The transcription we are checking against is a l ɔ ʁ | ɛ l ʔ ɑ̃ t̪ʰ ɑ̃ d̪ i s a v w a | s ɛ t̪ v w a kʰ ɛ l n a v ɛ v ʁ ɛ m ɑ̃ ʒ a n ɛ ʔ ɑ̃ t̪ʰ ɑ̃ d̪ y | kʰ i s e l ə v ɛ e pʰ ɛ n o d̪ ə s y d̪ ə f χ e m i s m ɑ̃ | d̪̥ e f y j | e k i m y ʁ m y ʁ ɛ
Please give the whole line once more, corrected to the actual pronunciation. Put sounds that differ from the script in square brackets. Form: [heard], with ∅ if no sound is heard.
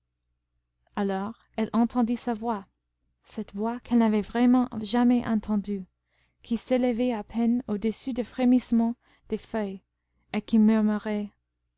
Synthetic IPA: a l ɔ ʁ | ɛ l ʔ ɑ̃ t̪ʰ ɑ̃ d̪ i s a v w a | s ɛ t̪ v w a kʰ ɛ l n a v ɛ v ʁ ɛ m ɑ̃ ʒ a [m] ɛ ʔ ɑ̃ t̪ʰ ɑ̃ d̪ y | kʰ i s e l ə v ɛ [a] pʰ ɛ n o d̪ ə s y d̪ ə f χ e m i s m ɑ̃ | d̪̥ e f [œ] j | e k i m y ʁ m y ʁ ɛ